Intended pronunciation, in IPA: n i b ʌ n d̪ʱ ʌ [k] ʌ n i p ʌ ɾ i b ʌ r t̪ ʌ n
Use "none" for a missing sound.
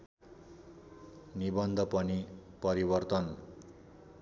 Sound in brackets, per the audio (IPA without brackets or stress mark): p